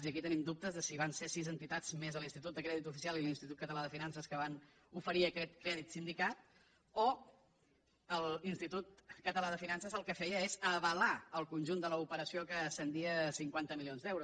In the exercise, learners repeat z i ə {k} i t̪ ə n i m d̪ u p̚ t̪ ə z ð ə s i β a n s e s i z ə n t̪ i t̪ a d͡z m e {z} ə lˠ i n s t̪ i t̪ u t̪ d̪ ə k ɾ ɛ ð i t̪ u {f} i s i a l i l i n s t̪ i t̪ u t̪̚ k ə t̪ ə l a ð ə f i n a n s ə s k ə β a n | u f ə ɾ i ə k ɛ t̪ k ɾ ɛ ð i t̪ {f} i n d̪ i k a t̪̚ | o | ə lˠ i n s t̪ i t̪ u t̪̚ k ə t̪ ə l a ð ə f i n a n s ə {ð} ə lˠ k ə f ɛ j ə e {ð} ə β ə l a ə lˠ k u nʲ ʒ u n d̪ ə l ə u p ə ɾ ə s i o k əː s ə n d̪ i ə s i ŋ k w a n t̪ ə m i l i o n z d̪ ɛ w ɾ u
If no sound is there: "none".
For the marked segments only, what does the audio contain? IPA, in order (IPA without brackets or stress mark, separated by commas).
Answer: k, z, f, s, z, z